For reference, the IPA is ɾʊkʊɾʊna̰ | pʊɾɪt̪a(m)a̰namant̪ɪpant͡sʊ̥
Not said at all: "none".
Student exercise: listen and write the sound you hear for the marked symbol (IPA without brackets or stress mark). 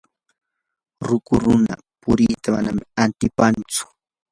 m